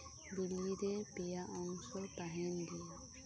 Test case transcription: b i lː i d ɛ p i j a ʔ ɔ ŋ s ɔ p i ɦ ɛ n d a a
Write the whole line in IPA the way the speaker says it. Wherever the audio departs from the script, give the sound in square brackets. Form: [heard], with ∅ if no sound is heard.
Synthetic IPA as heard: b i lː i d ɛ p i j a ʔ ɔ ŋ s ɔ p [a] ɦ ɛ n d [i] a